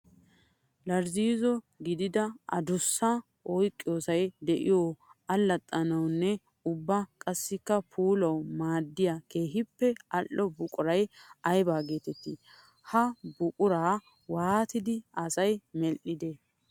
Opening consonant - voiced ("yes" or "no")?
yes